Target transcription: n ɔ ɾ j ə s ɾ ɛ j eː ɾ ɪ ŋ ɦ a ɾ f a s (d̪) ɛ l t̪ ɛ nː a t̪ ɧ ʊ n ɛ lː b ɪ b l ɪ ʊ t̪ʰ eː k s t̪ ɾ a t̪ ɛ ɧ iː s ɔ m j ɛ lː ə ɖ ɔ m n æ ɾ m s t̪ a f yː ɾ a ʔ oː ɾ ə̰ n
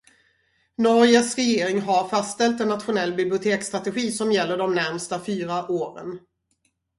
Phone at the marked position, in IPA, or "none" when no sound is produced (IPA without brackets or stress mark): t̪